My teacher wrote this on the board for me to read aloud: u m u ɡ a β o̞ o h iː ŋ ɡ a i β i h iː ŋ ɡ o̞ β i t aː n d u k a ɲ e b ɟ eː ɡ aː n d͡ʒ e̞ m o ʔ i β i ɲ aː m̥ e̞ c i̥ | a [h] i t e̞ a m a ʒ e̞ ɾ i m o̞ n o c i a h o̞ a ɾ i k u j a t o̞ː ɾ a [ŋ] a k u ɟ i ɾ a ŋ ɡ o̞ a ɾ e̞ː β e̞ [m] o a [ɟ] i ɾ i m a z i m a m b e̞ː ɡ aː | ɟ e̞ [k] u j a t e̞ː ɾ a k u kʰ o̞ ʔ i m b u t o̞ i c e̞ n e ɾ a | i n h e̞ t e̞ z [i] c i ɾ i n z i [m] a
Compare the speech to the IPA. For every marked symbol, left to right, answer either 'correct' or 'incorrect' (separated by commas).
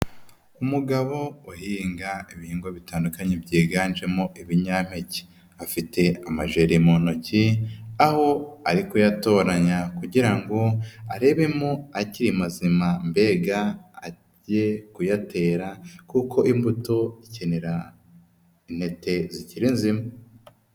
incorrect, incorrect, correct, incorrect, correct, correct, correct